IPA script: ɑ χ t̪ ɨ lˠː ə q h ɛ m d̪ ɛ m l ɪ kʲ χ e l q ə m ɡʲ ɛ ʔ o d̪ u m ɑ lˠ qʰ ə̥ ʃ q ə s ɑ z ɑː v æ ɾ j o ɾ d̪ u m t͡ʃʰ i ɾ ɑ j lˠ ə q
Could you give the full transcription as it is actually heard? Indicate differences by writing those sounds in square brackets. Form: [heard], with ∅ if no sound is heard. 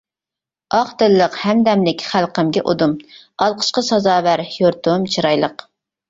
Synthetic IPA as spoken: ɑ χ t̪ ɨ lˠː ə q h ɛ m d̪ ɛ m l ɪ kʲ χ [æ] l q ə m ɡʲ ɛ ʔ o d̪ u m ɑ lˠ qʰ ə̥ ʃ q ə s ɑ z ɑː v æ ɾ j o ɾ [t̪] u m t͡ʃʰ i ɾ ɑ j lˠ ə q